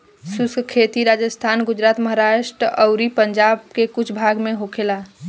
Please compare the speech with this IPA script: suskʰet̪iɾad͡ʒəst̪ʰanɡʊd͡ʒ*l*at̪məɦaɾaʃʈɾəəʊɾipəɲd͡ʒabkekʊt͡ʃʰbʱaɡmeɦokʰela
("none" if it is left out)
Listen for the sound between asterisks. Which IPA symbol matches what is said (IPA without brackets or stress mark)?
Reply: ɾ